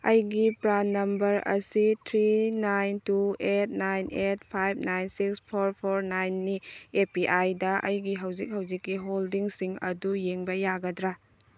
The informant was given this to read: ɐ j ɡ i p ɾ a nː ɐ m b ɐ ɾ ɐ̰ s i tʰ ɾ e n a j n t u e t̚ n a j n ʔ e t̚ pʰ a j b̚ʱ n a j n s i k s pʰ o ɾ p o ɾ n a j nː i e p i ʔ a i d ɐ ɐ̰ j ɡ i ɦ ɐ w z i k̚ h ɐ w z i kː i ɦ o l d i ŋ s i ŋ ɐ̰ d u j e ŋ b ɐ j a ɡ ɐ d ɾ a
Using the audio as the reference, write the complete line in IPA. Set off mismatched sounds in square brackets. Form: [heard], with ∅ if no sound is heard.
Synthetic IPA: ɐ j ɡ i p ɾ a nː ɐ m b ɐ ɾ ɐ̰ s i tʰ ɾ [i] n a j n t u e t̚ n a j n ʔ e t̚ pʰ a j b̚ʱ n a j n s i k s pʰ o ɾ [pʰ] o ɾ n a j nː i e p i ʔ a [j] d ɐ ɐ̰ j ɡ i ɦ ɐ w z i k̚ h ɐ w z i kː i ɦ o l d i ŋ s i ŋ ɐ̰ d u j e ŋ b ɐ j a ɡ ɐ d ɾ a